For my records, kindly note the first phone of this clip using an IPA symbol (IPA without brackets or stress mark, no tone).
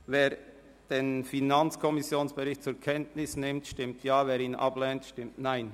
v